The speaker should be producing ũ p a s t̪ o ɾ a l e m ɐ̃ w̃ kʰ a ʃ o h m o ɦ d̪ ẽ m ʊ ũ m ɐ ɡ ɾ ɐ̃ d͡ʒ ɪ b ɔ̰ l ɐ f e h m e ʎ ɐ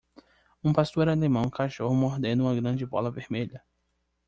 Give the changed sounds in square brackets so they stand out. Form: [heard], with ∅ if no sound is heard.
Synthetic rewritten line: ũ p a s t̪ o ɾ a l e m ɐ̃ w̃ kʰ a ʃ o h m o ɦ d̪ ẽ [n] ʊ ũ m ɐ ɡ ɾ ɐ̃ d͡ʒ ɪ b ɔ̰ l ɐ [v] e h m e ʎ ɐ